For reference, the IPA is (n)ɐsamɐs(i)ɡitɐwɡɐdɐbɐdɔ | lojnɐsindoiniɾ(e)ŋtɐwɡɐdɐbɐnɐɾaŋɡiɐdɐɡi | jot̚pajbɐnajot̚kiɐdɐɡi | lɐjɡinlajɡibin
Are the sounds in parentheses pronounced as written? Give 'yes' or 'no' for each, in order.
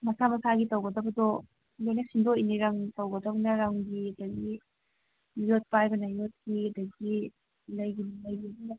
no, no, no

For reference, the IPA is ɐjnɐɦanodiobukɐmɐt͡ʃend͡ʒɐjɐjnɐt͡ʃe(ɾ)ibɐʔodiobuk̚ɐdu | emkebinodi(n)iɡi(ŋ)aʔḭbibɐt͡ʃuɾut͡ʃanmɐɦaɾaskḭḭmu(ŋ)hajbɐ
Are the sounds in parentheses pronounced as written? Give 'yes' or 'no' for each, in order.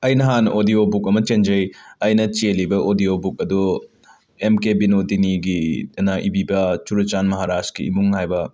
no, yes, no, yes

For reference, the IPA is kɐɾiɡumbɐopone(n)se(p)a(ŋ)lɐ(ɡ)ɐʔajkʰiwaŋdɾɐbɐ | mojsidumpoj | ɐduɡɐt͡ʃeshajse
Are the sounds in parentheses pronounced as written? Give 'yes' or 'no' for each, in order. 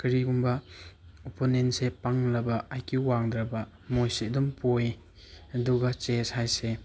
yes, yes, yes, no

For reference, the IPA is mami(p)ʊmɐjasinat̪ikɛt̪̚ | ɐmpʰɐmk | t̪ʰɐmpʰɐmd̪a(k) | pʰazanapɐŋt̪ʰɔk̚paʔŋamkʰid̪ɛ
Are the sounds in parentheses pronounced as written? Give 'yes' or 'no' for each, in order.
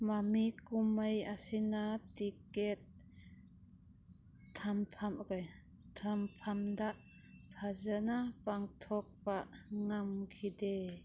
no, no

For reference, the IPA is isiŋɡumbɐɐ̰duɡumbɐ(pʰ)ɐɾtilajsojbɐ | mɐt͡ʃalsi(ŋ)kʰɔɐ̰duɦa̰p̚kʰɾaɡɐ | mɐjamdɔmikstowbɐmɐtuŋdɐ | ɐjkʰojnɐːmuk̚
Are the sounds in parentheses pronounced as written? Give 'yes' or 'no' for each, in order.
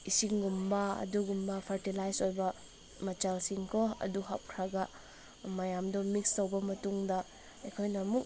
yes, yes

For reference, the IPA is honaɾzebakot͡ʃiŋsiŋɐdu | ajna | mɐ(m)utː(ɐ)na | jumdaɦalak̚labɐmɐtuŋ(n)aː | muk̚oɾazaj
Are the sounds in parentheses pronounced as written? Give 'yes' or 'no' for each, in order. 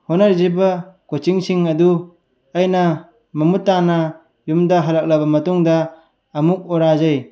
yes, no, no

